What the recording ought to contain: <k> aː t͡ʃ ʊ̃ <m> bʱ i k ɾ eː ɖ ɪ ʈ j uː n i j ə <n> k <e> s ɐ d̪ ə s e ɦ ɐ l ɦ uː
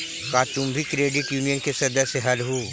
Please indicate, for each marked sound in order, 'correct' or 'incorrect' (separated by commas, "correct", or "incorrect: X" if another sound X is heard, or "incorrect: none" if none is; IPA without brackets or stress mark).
correct, correct, correct, correct